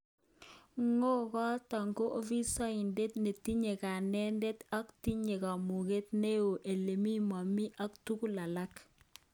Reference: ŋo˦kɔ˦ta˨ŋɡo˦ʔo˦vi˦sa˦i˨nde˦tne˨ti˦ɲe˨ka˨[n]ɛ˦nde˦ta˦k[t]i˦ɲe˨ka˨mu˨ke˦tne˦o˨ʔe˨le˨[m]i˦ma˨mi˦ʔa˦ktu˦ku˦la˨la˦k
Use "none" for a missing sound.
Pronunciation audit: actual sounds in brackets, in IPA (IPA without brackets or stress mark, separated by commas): n, t, m